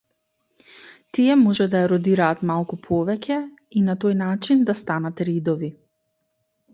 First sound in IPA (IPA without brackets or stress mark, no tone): t̪